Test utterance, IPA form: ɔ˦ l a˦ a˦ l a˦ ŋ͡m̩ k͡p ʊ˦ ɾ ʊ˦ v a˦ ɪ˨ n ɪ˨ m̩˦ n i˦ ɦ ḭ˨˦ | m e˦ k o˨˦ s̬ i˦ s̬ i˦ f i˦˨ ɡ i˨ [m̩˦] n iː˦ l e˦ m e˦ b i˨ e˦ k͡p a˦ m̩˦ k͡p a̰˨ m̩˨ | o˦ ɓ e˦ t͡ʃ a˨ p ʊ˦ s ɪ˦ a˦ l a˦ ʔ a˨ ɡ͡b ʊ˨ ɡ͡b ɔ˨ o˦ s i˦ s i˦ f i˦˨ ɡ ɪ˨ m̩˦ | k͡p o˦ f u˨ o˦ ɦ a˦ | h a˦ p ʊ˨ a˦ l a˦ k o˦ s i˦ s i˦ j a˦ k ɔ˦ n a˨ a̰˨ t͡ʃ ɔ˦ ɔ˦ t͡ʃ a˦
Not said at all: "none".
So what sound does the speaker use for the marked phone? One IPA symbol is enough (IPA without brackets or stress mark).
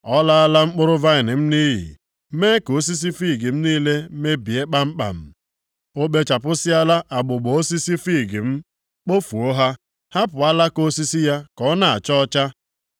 m̩˦